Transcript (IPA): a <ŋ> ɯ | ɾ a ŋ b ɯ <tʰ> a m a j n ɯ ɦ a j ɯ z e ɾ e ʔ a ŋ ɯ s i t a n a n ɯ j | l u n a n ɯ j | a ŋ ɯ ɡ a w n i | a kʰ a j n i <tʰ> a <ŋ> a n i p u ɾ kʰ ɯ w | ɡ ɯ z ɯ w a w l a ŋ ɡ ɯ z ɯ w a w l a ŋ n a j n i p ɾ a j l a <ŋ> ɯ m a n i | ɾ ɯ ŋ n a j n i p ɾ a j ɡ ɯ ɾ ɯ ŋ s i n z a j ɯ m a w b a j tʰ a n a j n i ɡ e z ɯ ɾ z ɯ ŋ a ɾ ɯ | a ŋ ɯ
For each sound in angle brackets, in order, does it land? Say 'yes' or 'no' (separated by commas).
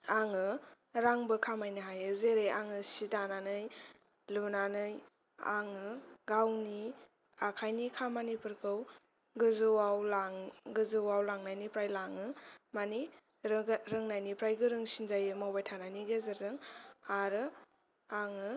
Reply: yes, no, no, no, yes